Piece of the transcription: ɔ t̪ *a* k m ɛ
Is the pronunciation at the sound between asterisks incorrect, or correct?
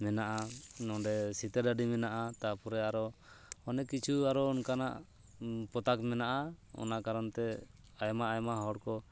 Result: correct